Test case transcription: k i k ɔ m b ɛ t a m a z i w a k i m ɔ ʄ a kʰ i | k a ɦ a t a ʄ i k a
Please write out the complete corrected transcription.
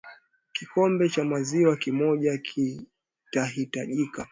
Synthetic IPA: k i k ɔ m b ɛ t͡ʃ a m a z i w a k i m ɔ ʄ a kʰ i | t a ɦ i t a ʄ i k a